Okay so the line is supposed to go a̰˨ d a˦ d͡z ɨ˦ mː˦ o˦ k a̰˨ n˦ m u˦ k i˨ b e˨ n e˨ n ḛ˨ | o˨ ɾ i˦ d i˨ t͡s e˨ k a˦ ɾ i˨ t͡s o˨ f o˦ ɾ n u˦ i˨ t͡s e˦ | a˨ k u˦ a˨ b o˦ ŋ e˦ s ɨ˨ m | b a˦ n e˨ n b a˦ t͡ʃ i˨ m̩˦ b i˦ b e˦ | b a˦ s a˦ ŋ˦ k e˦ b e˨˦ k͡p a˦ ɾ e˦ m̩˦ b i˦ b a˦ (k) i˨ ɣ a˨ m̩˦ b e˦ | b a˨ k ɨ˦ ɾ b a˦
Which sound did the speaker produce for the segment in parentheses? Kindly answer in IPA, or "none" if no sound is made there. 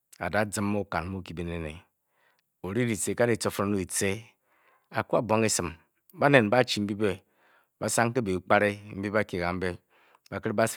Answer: k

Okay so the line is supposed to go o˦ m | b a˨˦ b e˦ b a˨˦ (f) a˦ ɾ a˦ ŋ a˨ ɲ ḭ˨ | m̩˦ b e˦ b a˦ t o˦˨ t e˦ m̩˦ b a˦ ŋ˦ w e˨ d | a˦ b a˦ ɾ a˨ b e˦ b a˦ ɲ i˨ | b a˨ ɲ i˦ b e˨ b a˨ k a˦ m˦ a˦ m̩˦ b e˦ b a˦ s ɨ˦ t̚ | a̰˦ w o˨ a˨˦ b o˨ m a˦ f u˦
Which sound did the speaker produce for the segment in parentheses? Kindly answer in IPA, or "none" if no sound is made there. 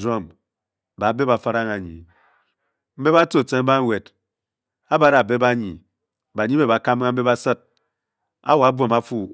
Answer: f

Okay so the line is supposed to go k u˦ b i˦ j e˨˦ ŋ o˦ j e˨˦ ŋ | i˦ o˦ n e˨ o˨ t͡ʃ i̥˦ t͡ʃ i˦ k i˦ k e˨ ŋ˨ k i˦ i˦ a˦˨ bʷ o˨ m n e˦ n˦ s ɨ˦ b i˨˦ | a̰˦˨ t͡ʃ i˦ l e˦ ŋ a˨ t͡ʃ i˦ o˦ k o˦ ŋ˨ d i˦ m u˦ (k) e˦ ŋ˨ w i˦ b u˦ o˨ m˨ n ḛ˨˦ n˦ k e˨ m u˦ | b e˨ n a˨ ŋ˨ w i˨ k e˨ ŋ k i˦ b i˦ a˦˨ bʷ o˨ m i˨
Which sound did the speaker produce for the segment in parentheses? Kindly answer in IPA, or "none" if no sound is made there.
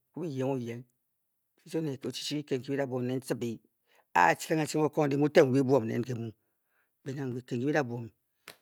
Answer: t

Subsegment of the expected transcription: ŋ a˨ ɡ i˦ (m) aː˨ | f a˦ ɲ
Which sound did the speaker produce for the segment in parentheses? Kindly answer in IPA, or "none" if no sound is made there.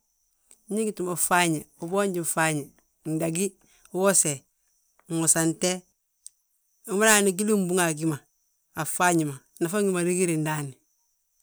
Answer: m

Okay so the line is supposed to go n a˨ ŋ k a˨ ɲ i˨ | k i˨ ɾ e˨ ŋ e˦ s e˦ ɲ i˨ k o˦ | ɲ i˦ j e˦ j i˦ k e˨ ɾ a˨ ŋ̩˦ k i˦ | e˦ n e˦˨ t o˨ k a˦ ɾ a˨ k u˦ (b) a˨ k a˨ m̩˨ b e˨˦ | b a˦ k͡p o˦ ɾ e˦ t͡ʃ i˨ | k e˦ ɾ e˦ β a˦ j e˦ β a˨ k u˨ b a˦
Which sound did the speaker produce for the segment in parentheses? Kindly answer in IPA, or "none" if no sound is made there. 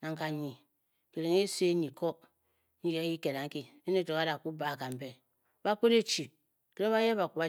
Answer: b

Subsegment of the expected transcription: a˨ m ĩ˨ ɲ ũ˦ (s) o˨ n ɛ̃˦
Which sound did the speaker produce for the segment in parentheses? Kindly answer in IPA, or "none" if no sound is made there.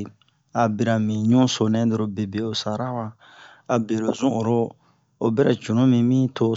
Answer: s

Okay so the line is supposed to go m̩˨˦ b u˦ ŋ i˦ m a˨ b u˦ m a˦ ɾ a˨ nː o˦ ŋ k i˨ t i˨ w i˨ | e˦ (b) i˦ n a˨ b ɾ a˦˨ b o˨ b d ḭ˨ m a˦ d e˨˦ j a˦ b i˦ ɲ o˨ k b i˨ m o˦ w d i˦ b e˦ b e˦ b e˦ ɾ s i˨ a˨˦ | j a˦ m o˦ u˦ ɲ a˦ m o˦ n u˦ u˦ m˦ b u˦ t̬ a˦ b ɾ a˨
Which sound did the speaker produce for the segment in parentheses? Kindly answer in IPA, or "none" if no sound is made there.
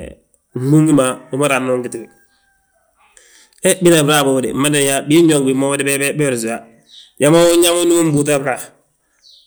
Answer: b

